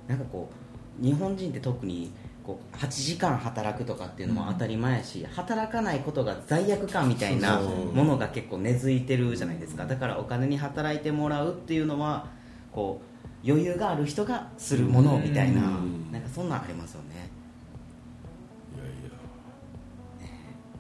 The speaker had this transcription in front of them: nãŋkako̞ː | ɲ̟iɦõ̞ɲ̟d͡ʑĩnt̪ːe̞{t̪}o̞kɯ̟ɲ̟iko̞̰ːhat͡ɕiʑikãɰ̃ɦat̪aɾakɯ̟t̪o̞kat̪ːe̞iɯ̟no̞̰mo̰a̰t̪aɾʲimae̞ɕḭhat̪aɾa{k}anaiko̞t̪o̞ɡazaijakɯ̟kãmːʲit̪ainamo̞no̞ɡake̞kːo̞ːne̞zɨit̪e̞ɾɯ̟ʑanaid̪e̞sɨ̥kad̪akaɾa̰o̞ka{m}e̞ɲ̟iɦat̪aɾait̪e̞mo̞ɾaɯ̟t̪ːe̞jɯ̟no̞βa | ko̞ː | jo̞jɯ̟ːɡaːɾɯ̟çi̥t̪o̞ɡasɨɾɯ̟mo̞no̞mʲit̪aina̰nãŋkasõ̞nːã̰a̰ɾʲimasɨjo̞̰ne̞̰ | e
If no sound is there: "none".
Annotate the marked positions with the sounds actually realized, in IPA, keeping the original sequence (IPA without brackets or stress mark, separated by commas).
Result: t̪, k, n